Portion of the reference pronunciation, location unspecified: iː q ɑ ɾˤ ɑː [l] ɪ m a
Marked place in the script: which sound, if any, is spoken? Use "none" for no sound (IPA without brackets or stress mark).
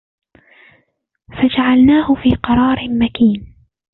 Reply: ɾ